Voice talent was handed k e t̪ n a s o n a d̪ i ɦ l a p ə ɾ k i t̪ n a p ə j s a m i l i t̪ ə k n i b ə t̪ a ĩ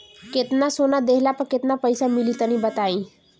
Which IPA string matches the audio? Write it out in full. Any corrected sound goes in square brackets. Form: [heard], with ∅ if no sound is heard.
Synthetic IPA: k e t̪ n a s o n a d̪ [e] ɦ l a p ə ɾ k [e] t̪ n a p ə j s a m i l i t̪ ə [∅] n i b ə t̪ a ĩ